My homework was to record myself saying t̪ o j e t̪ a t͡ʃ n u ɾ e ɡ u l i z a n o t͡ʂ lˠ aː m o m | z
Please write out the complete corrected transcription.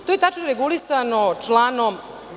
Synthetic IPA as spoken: t̪ o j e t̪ a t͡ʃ n o ɾ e ɡ u l i s a n o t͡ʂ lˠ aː n o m | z